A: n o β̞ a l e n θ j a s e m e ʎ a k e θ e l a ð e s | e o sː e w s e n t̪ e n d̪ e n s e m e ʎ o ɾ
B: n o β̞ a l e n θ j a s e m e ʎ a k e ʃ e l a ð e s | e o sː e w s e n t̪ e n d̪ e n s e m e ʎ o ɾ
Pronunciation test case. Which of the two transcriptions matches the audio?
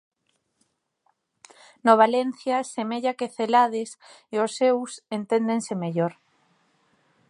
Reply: A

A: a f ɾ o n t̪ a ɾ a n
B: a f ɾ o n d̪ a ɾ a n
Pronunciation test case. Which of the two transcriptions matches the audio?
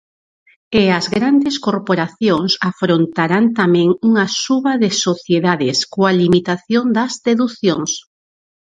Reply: A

